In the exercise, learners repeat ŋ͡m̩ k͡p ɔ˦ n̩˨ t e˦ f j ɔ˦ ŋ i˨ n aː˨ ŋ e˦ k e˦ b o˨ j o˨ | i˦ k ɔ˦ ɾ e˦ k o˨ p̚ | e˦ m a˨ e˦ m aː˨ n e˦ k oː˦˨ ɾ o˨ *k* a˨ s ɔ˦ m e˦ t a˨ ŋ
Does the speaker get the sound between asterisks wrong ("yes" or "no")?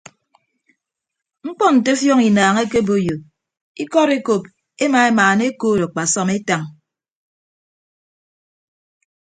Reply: yes